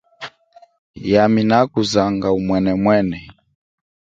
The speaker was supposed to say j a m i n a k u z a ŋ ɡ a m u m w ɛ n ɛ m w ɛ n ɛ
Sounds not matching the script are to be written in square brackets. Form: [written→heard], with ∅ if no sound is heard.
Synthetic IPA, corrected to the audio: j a m i n a k u z a ŋ ɡ a [m→∅] u m w ɛ n ɛ m w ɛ n ɛ